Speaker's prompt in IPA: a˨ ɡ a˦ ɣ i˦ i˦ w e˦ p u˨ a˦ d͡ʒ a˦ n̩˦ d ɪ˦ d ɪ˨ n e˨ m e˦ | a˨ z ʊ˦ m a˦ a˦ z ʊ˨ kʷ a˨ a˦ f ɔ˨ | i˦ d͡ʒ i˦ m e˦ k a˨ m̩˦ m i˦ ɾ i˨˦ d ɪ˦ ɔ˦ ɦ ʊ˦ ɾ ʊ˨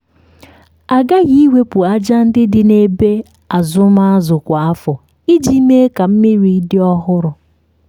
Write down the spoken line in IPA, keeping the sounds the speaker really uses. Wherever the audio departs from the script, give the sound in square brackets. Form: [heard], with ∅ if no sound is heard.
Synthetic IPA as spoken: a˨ ɡ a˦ ɣ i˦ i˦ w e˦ p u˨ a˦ d͡ʒ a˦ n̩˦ d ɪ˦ d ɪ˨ n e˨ [b] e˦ | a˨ z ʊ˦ m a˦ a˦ z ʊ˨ kʷ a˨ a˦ f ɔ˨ | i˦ d͡ʒ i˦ m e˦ k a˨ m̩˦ m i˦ ɾ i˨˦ d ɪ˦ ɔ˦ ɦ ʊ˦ ɾ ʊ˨